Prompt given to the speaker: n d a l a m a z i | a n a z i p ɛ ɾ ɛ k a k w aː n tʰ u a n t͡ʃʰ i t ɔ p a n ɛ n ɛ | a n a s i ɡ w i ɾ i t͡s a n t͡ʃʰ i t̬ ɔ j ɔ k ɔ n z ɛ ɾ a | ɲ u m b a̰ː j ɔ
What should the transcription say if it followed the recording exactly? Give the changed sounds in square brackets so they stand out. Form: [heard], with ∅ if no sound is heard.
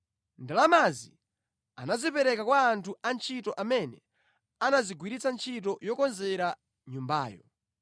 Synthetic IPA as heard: n d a l a m a z i | a n a z i p ɛ ɾ ɛ k a k w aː n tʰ u a n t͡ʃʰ i t ɔ [ʔ] a [m] ɛ n ɛ | a n a [z] i ɡ w i ɾ i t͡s a n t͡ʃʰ i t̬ ɔ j ɔ k ɔ n z ɛ ɾ a | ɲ u m b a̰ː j ɔ

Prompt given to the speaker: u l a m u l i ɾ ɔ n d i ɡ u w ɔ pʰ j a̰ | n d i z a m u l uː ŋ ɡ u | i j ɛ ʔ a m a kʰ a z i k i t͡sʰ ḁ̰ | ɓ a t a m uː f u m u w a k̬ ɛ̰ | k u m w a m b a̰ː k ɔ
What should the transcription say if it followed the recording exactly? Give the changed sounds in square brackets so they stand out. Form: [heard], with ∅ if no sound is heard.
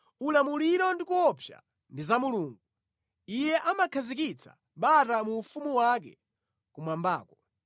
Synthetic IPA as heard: u l a m u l i ɾ ɔ n d i [k] u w ɔ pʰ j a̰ | n d i z a m u l uː ŋ ɡ u | i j ɛ ʔ a m a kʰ a z i k i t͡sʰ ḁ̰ | ɓ a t a m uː f u m u w a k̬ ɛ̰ | k u m w a m b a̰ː k ɔ

